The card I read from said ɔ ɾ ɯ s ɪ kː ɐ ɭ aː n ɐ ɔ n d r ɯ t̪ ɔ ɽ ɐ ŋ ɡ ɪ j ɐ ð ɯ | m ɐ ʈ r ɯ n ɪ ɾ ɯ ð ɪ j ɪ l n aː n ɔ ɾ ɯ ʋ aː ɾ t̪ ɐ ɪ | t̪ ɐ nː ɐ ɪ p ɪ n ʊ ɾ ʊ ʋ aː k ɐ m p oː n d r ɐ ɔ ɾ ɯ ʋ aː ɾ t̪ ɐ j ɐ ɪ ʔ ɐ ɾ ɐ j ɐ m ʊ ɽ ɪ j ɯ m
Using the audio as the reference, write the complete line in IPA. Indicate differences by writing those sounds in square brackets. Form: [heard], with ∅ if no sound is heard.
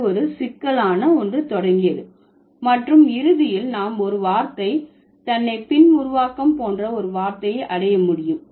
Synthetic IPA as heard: ɔ ɾ ɯ s ɪ kː ɐ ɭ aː n ɐ ɔ n d r ɯ t̪ ɔ ɽ ɐ ŋ ɡ ɪ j ɐ ð ɯ | m ɐ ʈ r ɯ [m] ɪ ɾ ɯ ð ɪ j ɪ l n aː [m] ɔ ɾ ɯ ʋ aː ɾ t̪ ɐ ɪ | t̪ ɐ nː ɐ ɪ p ɪ n ʊ ɾ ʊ ʋ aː k ɐ m p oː n d r ɐ ɔ ɾ ɯ ʋ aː ɾ t̪ ɐ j ɐ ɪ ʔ ɐ [ɽ] ɐ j ɐ m ʊ ɽ ɪ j ɯ m

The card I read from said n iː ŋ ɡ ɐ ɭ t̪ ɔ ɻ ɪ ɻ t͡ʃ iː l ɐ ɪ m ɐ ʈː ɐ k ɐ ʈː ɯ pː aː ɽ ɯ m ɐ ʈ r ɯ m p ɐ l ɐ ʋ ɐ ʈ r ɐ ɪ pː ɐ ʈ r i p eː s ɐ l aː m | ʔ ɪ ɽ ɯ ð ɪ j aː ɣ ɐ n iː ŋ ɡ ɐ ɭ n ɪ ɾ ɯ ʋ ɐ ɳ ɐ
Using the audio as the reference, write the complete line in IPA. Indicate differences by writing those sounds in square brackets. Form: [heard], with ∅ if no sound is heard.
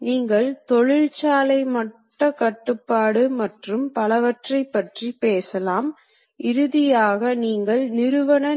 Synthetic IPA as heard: n iː ŋ ɡ ɐ ɭ t̪ ɔ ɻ ɪ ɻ t͡ʃ [aː] l ɐ ɪ m ɐ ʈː ɐ k ɐ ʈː ɯ pː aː ɽ ɯ m ɐ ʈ r ɯ m p ɐ l ɐ ʋ ɐ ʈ r ɐ ɪ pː ɐ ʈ r i p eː s ɐ l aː m | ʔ ɪ [ɾ] ɯ ð ɪ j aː ɣ ɐ n iː ŋ ɡ ɐ ɭ n ɪ ɾ ɯ ʋ ɐ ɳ ɐ

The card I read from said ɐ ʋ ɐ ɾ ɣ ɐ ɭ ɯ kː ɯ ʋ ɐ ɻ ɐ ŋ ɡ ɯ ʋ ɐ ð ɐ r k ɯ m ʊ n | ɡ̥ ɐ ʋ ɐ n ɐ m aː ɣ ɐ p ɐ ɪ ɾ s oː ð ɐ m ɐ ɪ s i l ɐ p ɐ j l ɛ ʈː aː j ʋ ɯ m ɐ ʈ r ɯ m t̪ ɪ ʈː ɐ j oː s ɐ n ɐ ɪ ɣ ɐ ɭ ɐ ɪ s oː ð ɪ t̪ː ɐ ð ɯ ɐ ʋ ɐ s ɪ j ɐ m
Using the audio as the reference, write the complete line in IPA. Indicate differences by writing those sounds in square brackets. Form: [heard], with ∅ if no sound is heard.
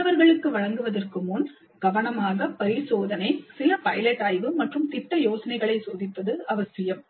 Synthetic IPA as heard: ɐ ʋ ɐ ɾ ɣ ɐ ɭ ɯ kː ɯ ʋ ɐ ɻ ɐ ŋ ɡ ɯ ʋ ɐ ð ɐ r k ɯ m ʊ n | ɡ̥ ɐ ʋ ɐ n ɐ m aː ɣ ɐ p ɐ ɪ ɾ s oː ð ɐ [n] ɐ ɪ s [ɪ] l ɐ p ɐ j l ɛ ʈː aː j ʋ ɯ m ɐ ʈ r ɯ m t̪ ɪ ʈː ɐ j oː s ɐ n ɐ ɪ ɣ ɐ ɭ ɐ ɪ s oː ð ɪ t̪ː ɐ ð ɯ ɐ ʋ ɐ s ɪ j ɐ m

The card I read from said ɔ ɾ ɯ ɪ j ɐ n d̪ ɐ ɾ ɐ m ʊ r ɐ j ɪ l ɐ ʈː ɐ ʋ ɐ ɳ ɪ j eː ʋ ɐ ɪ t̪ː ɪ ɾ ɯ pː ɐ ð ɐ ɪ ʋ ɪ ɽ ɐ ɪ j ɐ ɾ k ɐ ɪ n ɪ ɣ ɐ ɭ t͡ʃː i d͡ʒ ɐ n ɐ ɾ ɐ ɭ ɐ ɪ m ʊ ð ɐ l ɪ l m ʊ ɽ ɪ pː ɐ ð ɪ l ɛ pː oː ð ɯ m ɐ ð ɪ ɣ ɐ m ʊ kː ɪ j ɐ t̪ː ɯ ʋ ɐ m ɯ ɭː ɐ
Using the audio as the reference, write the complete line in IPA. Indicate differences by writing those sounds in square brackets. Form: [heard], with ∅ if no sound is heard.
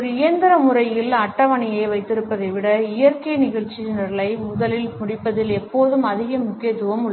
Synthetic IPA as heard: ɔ ɾ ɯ ɪ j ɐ n d̪ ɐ ɾ ɐ m ʊ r ɐ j ɪ l ɐ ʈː ɐ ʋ ɐ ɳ ɪ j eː ʋ ɐ ɪ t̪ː ɪ ɾ ɯ pː ɐ ð ɐ ɪ ʋ ɪ ɽ ɐ ɪ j ɐ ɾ k ɐ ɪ n ɪ ɣ ɐ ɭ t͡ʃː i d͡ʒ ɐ n ɐ ɾ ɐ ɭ ɐ ɪ m ʊ ð ɐ l ɪ l m ʊ ɽ ɪ pː ɐ ð ɪ l ɛ pː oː ð ɯ m ɐ ð ɪ ɣ ɐ m ʊ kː ɪ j ɐ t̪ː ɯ ʋ ɐ m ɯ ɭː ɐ

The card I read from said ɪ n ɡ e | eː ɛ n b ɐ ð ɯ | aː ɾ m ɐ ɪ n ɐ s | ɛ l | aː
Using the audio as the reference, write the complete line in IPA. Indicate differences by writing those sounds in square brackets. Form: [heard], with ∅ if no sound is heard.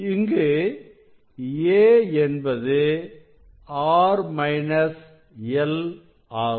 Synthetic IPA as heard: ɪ [ŋ] ɡ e | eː ɛ n b ɐ ð ɯ | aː ɾ m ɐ ɪ n ɐ s | ɛ l | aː

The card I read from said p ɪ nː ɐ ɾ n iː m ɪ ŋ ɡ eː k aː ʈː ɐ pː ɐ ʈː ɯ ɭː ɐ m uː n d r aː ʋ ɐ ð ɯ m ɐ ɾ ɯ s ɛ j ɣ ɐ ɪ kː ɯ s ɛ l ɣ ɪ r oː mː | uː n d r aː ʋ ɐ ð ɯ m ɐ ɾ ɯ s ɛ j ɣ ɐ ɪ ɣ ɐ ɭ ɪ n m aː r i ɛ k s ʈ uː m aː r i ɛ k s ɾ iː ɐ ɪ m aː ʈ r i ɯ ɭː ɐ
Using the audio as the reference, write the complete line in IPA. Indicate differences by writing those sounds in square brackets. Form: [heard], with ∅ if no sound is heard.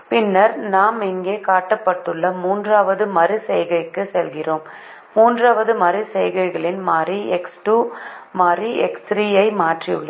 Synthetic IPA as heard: p ɪ nː ɐ ɾ n [aː] m ɪ ŋ ɡ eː k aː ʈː ɐ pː ɐ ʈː ɯ ɭː ɐ m uː n d r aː ʋ ɐ ð ɯ m ɐ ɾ ɯ s ɛ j ɣ ɐ ɪ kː ɯ s ɛ l ɣ ɪ r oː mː | uː n d r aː ʋ ɐ ð ɯ m ɐ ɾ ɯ s ɛ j ɣ ɐ ɪ ɣ ɐ ɭ ɪ n m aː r i ɛ k s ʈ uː m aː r i ɛ k s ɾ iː ɐ ɪ m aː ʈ r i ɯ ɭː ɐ

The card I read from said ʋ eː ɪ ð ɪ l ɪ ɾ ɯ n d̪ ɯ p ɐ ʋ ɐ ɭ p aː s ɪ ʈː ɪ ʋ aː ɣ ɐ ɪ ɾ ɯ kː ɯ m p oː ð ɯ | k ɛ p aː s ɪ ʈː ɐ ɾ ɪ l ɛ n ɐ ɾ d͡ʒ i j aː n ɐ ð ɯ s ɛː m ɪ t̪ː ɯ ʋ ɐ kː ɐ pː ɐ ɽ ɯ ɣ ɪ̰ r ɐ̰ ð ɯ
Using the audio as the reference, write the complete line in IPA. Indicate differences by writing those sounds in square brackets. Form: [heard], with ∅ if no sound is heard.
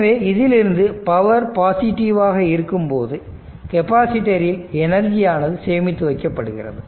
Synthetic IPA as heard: ʋ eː ɪ ð ɪ l ɪ ɾ ɯ n d̪ ɯ p ɐ ʋ ɐ [ɾ] p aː s ɪ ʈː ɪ ʋ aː ɣ ɐ ɪ ɾ ɯ kː ɯ m p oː ð ɯ | k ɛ p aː s ɪ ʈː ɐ ɾ ɪ l ɛ n ɐ ɾ d͡ʒ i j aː n ɐ ð ɯ s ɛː m ɪ t̪ː ɯ ʋ ɐ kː ɐ pː ɐ ɽ ɯ ɣ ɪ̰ r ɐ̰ ð ɯ

